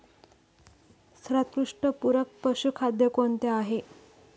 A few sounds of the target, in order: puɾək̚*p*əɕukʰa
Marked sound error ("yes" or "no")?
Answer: no